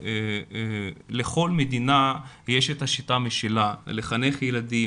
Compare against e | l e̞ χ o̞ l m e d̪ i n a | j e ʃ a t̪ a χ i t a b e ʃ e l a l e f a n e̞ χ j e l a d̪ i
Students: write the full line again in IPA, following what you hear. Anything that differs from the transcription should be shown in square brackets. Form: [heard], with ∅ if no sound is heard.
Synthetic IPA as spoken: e | l e̞ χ o̞ l m e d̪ i n a | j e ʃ [e] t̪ a [ʃ] i t a [m] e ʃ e l a l e [χ] a n e̞ χ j e l a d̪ i